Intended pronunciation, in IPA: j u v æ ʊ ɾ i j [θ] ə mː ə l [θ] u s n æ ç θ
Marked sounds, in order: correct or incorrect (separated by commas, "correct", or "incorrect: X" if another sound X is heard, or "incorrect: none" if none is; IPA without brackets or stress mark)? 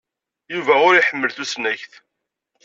incorrect: ħ, correct